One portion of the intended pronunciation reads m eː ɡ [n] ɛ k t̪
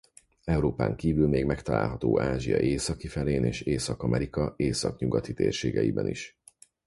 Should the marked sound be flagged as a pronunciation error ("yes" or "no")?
yes